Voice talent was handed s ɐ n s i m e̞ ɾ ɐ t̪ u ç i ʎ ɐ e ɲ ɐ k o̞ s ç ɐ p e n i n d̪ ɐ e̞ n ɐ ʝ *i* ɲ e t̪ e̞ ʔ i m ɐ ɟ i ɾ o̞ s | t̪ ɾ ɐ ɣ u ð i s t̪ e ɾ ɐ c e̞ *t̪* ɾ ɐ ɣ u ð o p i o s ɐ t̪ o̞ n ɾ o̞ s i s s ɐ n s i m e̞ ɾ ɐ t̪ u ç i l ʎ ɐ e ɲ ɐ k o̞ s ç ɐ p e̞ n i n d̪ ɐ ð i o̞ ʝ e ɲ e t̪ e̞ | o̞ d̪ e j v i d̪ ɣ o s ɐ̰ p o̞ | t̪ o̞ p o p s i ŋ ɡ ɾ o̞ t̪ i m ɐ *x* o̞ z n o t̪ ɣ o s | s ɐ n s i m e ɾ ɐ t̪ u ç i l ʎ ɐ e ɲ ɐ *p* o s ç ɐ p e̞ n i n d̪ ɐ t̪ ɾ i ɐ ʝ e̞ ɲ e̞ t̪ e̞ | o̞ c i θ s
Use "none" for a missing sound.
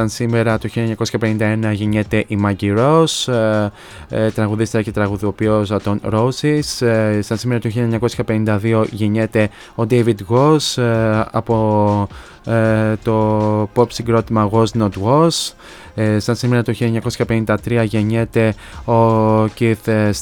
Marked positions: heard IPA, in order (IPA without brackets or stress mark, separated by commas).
e, t̪, ɣ, k